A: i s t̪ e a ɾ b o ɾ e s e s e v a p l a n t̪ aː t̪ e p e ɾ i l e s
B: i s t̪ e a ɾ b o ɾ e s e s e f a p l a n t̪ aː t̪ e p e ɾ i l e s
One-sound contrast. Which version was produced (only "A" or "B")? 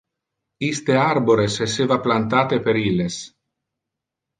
A